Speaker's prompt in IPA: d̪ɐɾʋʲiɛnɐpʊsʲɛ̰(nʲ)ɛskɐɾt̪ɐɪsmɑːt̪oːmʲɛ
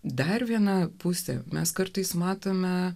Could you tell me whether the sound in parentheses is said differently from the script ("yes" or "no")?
yes